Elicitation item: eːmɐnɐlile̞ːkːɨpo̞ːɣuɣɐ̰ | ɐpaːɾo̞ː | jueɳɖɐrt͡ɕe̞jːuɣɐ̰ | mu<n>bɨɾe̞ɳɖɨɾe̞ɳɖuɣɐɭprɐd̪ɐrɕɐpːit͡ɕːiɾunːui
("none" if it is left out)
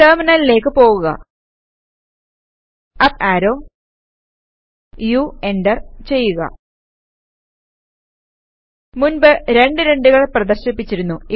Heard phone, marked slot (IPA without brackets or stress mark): n